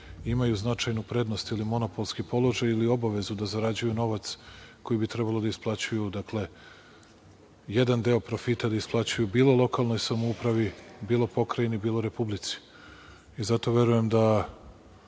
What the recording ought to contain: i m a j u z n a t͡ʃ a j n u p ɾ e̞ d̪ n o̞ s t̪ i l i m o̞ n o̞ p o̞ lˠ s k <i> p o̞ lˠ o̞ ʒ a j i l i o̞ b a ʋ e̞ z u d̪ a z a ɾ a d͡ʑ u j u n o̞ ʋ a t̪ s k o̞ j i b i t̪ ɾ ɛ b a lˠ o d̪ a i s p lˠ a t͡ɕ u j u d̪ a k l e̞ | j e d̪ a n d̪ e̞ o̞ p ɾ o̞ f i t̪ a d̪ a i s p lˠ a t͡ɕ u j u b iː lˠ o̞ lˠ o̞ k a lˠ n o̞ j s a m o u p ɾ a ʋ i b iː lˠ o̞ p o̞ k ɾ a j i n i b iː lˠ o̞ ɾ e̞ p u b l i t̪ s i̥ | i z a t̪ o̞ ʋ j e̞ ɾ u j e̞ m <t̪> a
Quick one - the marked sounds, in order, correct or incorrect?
correct, incorrect: d̪

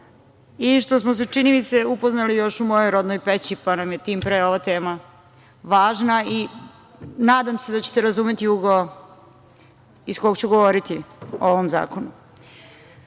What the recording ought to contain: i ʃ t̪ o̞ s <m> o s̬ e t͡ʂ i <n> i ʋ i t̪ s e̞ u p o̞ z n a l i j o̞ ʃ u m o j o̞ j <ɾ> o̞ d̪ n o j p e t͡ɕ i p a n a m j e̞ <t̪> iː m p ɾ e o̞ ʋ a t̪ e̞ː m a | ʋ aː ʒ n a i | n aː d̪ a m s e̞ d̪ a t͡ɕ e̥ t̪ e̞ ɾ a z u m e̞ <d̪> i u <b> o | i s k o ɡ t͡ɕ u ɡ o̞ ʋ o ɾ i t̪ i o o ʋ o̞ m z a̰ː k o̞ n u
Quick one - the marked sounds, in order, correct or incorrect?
correct, correct, correct, correct, incorrect: t̪, incorrect: ɡ

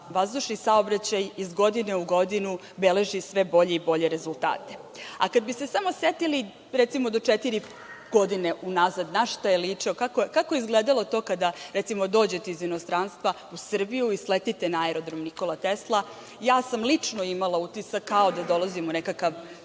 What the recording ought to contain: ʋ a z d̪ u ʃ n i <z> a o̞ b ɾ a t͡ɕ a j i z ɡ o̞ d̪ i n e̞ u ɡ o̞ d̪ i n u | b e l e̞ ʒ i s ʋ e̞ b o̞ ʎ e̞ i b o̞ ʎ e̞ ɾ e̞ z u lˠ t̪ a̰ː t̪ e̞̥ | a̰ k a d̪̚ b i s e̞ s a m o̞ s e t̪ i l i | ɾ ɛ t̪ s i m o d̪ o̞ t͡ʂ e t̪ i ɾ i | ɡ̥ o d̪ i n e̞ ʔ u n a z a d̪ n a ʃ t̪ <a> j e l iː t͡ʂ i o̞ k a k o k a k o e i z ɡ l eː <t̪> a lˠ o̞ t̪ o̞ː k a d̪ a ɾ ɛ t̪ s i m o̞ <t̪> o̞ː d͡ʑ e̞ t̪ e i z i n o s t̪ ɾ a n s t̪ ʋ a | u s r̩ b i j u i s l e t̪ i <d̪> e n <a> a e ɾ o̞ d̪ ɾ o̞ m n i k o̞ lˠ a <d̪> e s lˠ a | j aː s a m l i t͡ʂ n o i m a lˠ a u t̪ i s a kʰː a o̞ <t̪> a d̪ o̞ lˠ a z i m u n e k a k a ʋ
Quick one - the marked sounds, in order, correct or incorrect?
incorrect: s, correct, incorrect: d̪, incorrect: d̪, incorrect: t̪, correct, incorrect: t̪, incorrect: d̪

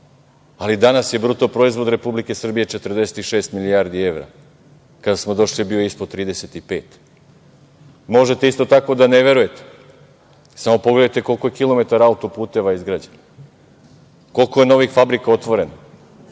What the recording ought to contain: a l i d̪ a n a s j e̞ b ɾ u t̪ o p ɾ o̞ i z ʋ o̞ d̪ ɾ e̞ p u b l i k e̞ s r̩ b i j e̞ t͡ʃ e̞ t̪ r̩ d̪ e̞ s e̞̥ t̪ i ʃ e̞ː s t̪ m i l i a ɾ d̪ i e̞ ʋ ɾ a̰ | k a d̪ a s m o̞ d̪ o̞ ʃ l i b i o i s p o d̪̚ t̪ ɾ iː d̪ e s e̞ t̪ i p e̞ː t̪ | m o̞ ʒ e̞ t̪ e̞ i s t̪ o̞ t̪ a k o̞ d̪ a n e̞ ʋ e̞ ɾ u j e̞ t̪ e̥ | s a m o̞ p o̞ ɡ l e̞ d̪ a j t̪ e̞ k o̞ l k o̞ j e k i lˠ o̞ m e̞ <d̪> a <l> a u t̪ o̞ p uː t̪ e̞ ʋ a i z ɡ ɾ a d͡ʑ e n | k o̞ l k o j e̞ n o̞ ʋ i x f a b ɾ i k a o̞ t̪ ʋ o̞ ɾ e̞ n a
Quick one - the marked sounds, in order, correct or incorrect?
incorrect: t̪, incorrect: ɾ

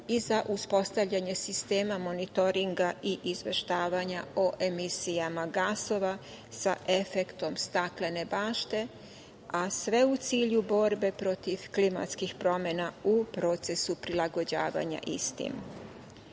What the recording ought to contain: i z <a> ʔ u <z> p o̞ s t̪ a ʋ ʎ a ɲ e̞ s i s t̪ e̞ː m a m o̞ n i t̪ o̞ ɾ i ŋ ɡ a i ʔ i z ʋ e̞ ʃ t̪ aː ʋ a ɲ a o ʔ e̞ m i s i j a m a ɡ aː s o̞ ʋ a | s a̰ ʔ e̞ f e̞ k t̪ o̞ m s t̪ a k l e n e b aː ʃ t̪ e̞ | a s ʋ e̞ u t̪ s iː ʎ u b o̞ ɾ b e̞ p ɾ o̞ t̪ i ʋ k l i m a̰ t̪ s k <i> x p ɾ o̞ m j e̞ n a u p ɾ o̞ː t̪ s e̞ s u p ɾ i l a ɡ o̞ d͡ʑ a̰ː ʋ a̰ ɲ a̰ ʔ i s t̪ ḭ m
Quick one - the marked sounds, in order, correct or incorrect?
correct, incorrect: s, correct

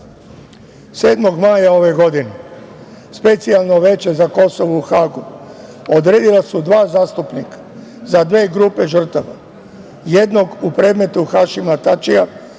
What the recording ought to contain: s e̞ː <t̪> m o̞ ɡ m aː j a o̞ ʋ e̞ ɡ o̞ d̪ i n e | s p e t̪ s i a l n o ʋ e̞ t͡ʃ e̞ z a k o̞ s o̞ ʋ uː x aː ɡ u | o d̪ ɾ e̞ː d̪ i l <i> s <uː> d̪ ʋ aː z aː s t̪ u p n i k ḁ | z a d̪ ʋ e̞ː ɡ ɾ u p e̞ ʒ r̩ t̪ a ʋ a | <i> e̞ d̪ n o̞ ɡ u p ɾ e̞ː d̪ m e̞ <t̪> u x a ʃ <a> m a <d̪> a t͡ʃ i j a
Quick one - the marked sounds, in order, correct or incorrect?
incorrect: d̪, incorrect: a, incorrect: u, incorrect: j, correct, incorrect: i, incorrect: t̪

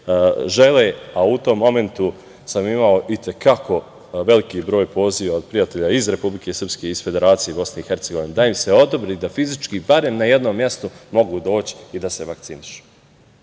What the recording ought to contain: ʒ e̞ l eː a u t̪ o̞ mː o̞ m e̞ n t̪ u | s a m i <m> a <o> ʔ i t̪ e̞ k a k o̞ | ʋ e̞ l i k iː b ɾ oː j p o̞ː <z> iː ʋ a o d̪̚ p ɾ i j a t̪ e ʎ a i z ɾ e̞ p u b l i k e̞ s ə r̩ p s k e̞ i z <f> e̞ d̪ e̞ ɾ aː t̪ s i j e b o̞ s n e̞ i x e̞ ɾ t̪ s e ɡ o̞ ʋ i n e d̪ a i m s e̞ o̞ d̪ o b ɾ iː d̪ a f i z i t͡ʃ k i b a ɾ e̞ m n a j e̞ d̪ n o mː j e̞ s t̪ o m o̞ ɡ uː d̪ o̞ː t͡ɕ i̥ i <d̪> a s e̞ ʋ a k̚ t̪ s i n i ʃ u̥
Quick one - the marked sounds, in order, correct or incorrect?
correct, correct, correct, correct, correct

